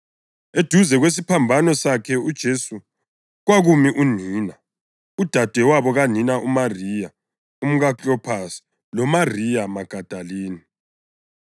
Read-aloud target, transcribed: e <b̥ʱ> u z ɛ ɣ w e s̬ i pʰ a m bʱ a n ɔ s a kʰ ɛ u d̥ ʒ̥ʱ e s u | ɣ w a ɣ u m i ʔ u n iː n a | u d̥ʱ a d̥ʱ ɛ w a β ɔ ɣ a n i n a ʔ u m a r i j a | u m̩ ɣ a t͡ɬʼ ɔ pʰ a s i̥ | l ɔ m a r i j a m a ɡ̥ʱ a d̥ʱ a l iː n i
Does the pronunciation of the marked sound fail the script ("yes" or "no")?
yes